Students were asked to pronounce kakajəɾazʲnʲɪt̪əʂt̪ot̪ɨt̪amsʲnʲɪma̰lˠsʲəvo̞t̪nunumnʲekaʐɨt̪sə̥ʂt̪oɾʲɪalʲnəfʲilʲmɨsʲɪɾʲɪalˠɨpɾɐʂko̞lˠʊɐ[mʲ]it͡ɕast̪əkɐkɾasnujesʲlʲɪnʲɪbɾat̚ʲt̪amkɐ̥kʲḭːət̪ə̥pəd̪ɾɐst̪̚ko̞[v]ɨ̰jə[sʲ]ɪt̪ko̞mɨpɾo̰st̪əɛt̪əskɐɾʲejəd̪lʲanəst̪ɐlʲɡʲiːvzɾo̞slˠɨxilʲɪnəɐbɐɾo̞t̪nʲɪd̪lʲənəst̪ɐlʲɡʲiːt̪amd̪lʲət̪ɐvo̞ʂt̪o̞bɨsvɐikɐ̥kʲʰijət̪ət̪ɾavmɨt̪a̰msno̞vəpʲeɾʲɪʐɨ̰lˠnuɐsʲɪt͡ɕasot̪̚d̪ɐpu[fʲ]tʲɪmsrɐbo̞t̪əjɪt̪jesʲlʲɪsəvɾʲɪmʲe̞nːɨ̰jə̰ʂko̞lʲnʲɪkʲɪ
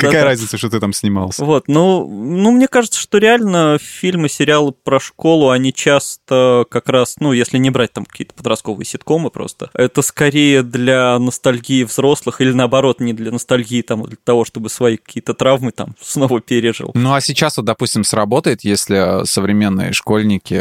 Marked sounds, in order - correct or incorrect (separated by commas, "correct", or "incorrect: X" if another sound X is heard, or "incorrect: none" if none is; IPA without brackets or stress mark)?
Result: incorrect: nʲ, correct, correct, incorrect: sʲ